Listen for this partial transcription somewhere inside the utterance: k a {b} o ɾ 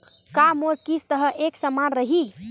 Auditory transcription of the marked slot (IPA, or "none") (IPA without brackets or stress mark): m